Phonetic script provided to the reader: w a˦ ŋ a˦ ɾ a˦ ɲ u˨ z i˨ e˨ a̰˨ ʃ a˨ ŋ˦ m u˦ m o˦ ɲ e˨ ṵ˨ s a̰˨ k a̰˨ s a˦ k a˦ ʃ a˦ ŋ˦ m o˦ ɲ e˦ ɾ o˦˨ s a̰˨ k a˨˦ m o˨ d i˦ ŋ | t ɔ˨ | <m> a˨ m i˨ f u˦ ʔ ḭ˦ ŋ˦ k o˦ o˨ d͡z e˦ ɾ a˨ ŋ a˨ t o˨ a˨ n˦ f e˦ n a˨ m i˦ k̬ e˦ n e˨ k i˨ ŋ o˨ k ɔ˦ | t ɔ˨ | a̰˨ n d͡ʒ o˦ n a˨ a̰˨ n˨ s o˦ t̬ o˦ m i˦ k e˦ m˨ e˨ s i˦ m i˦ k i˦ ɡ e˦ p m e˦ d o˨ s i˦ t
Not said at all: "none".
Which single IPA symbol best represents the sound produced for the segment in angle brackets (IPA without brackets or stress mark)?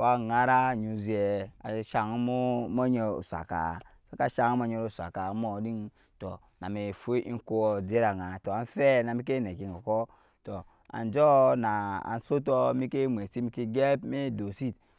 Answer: n